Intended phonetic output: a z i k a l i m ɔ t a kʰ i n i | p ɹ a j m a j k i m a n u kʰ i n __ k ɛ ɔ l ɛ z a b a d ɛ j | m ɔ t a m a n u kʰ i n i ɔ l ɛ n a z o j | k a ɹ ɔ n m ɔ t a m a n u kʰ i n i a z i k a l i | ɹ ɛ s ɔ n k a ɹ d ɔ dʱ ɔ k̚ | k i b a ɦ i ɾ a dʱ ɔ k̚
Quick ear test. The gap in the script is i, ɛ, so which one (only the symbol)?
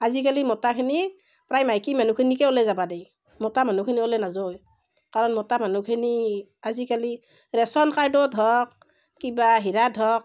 i